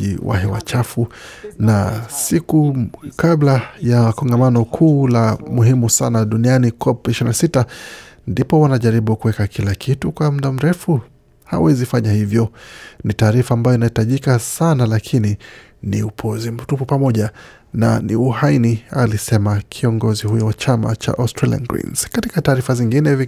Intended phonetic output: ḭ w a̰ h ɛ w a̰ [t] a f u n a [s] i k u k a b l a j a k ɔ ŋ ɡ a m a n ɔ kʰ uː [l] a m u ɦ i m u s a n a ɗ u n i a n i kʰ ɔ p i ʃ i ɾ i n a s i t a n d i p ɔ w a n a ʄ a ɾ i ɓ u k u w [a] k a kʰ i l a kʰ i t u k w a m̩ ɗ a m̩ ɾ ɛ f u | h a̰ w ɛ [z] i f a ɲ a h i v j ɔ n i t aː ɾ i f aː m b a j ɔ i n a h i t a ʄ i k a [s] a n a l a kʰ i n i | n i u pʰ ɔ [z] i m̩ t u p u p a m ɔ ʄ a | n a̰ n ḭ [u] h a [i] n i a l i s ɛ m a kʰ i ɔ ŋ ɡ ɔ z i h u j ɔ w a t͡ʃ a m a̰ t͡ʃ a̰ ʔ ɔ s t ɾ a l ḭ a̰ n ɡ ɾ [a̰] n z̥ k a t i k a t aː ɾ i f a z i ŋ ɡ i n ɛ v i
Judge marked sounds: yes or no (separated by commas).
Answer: no, yes, yes, no, yes, yes, yes, yes, yes, no